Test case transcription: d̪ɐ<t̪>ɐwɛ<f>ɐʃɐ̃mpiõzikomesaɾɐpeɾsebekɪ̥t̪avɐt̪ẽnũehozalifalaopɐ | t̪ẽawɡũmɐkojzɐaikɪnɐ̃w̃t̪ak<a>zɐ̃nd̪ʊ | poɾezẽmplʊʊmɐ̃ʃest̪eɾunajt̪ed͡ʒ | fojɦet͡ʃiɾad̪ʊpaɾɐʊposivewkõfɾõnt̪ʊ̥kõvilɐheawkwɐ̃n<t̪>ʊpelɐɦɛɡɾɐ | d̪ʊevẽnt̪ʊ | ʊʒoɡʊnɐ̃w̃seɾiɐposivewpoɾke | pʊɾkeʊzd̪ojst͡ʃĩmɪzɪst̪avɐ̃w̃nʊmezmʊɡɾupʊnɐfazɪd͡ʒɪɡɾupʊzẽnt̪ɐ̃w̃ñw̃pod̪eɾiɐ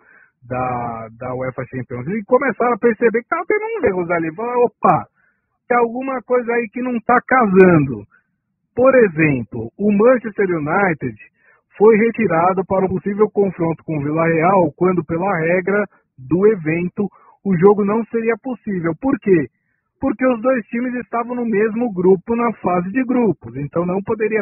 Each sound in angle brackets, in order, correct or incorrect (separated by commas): incorrect, correct, correct, incorrect